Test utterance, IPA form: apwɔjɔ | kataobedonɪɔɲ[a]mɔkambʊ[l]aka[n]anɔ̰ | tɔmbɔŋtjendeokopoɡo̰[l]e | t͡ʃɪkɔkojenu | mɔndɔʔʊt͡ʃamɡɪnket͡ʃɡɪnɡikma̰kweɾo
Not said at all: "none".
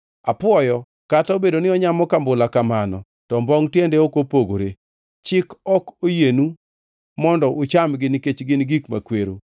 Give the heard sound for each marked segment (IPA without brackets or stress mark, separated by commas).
a, l, m, ɾ